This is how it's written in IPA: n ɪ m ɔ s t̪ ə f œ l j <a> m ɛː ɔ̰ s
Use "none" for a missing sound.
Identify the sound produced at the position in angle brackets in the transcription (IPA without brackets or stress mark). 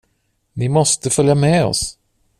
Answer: a